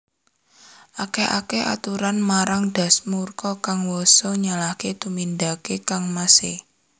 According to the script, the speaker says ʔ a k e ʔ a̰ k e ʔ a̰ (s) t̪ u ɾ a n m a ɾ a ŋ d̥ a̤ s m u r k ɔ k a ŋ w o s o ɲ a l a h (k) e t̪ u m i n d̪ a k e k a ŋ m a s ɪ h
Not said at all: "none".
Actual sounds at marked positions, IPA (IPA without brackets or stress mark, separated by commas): none, k